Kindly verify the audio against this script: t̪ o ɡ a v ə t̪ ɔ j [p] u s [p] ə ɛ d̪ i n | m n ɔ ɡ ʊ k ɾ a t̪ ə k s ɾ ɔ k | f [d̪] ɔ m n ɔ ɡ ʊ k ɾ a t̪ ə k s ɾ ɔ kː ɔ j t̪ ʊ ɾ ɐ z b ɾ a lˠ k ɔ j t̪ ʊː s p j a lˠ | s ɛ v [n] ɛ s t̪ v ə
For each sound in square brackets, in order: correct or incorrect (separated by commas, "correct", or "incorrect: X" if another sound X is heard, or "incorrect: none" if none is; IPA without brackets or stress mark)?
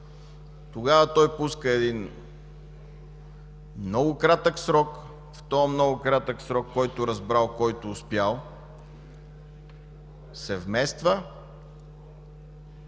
correct, incorrect: k, incorrect: t̪, incorrect: m